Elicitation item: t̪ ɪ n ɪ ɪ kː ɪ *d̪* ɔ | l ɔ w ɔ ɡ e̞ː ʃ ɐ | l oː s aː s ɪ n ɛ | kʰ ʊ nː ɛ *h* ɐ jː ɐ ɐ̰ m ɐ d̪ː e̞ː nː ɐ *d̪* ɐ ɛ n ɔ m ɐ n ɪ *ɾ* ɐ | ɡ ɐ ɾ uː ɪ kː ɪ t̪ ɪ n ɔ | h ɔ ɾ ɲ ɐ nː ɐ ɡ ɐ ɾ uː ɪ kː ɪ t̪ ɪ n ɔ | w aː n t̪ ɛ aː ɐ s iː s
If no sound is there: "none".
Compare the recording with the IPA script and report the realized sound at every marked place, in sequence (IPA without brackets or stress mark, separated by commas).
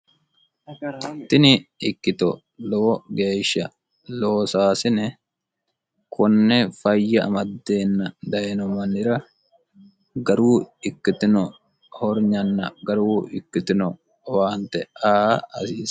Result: t̪, f, d̪, ɾ